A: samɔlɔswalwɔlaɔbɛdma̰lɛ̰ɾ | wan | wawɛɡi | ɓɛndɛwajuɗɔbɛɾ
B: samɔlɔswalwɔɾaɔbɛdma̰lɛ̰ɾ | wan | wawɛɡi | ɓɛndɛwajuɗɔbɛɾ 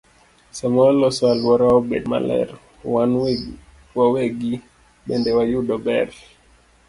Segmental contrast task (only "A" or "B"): B